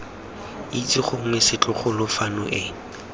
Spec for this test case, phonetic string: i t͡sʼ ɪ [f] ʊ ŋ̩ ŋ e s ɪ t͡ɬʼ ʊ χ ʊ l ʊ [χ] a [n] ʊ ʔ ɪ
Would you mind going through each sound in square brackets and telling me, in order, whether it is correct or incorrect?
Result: incorrect: χ, incorrect: f, correct

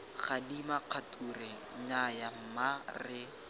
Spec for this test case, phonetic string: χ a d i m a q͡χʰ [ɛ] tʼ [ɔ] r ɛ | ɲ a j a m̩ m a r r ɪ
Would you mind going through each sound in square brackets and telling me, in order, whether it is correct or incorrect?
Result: incorrect: a, incorrect: u

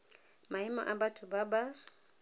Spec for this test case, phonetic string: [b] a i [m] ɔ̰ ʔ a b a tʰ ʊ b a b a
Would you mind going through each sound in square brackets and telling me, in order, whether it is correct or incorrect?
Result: incorrect: m, correct

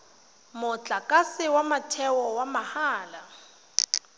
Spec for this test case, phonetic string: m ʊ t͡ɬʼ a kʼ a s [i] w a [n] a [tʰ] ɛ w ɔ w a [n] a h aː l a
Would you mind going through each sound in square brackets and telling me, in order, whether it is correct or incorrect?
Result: incorrect: ɪ, incorrect: m, correct, incorrect: m

